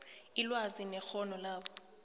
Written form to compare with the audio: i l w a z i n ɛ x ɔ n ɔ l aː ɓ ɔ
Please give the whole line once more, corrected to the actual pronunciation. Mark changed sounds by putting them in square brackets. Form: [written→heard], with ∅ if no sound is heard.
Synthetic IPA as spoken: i l w a z i n ɛ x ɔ n ɔ l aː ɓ ɔ